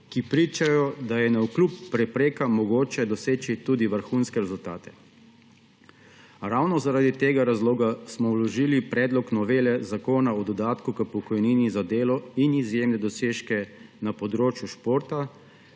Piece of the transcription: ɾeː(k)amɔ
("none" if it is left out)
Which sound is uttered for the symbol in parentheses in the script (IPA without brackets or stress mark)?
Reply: k